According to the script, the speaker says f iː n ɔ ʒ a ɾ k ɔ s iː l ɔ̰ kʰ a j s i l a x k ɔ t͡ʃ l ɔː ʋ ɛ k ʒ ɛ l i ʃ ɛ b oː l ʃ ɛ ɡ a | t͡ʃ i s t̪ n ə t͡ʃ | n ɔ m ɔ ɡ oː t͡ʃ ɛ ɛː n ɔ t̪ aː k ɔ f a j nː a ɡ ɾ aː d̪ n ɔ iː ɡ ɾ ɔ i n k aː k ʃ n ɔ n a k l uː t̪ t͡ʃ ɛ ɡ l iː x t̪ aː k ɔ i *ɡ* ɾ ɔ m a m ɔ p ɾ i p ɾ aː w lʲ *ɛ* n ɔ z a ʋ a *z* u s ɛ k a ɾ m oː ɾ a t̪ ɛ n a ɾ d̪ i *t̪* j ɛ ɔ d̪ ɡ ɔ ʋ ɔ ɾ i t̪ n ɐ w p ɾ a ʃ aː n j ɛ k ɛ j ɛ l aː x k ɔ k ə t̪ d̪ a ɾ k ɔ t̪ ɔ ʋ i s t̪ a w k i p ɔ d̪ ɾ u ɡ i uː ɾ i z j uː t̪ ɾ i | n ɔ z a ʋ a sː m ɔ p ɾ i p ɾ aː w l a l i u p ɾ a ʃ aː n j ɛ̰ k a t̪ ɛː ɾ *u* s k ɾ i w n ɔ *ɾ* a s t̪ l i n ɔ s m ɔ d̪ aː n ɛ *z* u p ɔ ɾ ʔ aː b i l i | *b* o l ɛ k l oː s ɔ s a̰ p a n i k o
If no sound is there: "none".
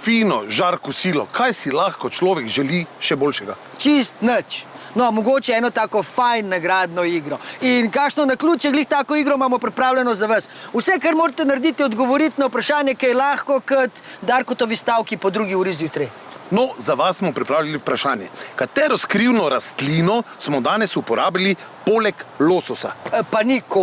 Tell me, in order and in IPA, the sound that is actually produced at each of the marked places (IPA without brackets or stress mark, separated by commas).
ɡ, ɛ, s, t̪, ɔ, ɾ, s, p